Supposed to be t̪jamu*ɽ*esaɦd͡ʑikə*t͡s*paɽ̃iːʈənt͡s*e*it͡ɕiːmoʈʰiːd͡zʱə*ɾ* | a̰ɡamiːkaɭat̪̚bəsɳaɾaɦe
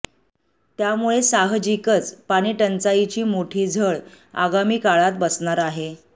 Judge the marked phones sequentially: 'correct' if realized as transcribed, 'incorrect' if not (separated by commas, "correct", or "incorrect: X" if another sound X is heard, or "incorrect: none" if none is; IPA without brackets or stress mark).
incorrect: ɭ, correct, incorrect: a, incorrect: ɭ